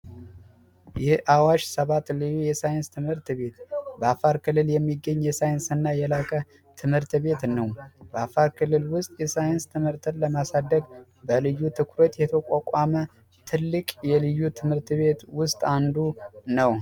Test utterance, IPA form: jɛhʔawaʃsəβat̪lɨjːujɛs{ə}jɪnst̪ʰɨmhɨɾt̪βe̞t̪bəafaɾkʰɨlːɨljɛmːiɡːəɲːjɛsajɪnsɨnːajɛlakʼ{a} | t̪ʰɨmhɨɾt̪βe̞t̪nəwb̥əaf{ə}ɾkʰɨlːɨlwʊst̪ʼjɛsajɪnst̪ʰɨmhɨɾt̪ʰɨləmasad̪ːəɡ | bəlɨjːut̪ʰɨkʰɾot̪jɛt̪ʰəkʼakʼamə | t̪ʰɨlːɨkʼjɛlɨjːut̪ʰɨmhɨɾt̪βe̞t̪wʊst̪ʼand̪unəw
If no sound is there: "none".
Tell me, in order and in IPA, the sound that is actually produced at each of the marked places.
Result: a, ə, a

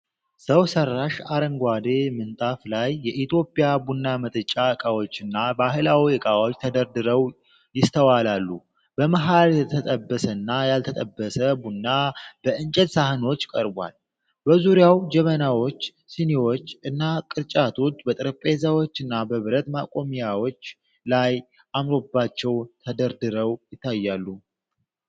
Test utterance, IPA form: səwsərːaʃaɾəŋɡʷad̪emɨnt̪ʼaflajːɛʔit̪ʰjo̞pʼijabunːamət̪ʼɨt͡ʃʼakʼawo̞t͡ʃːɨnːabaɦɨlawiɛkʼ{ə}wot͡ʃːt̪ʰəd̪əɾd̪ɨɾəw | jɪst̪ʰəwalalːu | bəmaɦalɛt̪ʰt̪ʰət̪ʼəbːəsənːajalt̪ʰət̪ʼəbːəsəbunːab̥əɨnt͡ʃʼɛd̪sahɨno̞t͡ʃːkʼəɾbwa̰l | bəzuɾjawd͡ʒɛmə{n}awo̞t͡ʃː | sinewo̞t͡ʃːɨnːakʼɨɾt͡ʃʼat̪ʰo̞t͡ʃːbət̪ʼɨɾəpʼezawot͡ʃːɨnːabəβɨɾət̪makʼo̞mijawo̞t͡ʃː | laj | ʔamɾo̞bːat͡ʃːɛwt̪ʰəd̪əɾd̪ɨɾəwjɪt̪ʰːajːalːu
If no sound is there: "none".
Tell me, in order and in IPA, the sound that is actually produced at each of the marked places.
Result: a, n

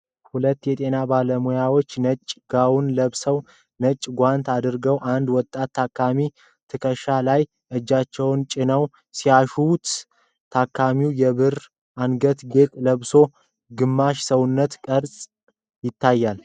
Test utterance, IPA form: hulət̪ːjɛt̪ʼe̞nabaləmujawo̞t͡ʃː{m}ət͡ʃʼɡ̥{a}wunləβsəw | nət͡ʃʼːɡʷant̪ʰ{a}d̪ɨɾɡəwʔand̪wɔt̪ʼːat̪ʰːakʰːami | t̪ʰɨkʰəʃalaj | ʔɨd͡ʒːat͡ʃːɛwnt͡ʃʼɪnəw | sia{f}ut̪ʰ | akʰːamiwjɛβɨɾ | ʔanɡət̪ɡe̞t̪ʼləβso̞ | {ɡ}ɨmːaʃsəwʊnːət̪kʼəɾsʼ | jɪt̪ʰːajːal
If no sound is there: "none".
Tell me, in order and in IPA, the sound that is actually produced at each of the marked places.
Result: n, a, a, ʃ, ɡ

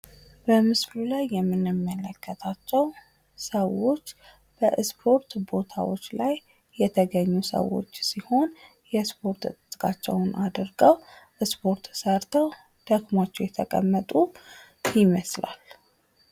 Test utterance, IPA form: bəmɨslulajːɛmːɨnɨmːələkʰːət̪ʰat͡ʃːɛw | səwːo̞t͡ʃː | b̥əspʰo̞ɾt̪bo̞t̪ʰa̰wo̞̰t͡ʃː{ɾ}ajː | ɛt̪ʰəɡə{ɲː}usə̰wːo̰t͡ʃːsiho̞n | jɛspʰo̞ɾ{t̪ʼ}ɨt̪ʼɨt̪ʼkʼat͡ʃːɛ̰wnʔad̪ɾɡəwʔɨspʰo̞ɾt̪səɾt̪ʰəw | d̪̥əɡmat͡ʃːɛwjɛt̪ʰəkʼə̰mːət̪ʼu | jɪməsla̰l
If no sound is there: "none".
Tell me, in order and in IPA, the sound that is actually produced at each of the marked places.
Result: l, ɲː, t̪

